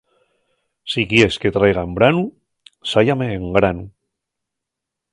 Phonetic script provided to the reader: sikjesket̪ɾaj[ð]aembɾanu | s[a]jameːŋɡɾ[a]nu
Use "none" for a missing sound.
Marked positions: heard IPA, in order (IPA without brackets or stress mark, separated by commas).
ɣ, a, a